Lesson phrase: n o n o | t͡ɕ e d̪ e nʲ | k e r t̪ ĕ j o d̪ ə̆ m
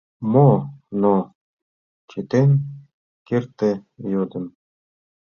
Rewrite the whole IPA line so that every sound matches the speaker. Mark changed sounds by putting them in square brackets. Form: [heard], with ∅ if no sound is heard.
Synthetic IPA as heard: [m] o n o | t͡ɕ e [t̪] e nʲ | k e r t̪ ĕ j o d̪ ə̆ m

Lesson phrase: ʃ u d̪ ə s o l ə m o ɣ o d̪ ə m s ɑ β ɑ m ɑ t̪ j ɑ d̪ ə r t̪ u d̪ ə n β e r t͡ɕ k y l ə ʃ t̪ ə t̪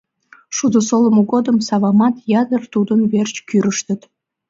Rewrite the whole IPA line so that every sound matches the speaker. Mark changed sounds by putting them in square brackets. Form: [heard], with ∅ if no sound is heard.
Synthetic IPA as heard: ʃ u d̪ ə s o l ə m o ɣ o d̪ ə m s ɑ β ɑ m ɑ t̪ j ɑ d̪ ə r t̪ u d̪ ə n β e r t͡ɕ k y [ɾ] ə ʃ t̪ ə t̪

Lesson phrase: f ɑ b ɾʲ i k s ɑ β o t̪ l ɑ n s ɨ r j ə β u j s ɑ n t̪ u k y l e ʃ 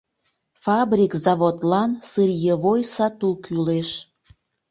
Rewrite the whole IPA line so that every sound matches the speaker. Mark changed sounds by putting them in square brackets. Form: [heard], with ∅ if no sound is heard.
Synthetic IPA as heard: f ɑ b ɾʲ i k [z] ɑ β o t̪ l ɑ n s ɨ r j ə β [o] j s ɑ [∅] t̪ u k y l e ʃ

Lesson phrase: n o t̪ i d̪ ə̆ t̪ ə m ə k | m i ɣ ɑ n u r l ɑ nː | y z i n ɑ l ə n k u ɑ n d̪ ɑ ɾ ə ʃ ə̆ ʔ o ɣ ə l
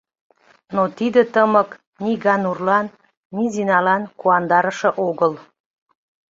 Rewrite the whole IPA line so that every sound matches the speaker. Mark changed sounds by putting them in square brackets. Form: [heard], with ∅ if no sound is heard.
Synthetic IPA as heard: n o t̪ i d̪ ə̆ t̪ ə m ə k | [n] i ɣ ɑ n u r l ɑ nː | [i] z i n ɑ l [ɑ] n k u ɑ n d̪ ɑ ɾ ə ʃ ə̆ ʔ o ɣ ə l

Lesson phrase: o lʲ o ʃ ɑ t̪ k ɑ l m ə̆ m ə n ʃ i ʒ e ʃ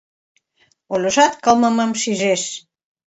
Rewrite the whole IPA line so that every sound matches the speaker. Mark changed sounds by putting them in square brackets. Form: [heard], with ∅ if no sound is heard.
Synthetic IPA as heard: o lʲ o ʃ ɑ t̪ k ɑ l m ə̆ m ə [m] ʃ i ʒ e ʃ

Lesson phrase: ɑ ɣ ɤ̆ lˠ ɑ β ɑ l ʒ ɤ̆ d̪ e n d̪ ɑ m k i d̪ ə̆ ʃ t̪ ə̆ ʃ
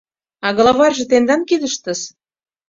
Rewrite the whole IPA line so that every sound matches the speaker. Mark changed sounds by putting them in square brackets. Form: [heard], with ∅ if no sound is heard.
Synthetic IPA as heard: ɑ ɣ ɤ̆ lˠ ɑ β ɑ [r] ʒ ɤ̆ [t̪] e n d̪ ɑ [n] k i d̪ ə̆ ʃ t̪ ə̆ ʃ

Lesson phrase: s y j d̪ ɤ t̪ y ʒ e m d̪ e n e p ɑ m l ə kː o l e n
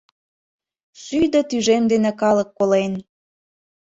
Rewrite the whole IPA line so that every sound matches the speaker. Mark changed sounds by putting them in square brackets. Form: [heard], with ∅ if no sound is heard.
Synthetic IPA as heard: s y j d̪ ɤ t̪ y ʒ e m d̪ e n e [k] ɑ [∅] l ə kː o l e n

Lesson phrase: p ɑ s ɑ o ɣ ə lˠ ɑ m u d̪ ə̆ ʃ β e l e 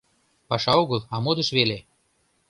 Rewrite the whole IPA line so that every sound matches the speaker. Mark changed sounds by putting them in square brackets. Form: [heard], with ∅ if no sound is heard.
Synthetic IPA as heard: p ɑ [ʃ] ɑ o ɣ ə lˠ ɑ m [o] d̪ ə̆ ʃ β e l e

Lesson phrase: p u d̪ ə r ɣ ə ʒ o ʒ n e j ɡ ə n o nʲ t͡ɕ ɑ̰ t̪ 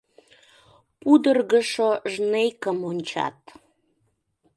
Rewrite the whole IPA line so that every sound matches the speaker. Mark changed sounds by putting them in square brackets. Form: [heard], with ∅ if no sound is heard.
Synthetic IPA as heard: p u d̪ ə r ɣ ə [ʃ] o ʒ n e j [k] ə [m] o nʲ t͡ɕ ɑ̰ t̪

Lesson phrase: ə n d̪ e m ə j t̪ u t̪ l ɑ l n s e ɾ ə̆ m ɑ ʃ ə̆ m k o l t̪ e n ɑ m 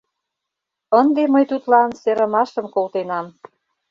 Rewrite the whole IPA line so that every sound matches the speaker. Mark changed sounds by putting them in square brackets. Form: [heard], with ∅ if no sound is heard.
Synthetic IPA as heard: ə n d̪ e m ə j t̪ u t̪ l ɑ [∅] n s e ɾ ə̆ m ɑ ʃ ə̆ m k o l t̪ e n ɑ m

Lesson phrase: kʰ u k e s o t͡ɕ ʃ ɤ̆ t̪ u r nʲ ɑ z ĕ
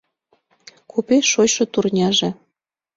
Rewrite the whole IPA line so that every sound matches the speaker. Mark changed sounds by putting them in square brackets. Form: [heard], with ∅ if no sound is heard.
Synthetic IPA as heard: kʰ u [p] e [ʃ] o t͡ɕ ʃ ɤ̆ t̪ u r nʲ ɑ [ʒ] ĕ

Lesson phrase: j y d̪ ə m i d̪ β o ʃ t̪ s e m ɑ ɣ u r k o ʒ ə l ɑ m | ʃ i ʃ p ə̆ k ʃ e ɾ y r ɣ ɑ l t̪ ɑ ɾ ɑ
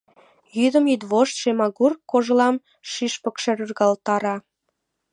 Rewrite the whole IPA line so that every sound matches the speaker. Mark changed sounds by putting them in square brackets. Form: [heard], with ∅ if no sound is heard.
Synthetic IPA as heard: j y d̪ ə m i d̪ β o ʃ t̪ [ʃ] e m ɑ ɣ u r k o ʒ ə l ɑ m | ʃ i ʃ p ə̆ k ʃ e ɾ y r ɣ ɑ l t̪ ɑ ɾ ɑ

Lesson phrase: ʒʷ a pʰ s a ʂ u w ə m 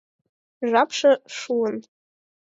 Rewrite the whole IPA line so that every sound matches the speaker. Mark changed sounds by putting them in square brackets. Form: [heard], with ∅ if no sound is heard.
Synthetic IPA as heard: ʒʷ a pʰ [ʂ] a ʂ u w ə [n]

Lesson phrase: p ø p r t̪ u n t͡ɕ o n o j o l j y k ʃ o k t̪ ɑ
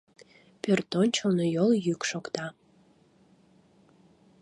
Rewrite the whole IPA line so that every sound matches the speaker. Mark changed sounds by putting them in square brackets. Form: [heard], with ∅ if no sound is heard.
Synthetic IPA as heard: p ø [∅] r t̪ [o] n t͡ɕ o n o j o l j y k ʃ o k t̪ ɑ

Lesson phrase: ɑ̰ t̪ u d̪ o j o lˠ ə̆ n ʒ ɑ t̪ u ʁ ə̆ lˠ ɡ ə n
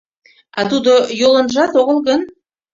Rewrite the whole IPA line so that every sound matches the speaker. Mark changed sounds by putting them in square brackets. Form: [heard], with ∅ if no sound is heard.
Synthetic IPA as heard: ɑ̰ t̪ u d̪ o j o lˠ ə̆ n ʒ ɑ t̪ [o] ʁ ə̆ lˠ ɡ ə n

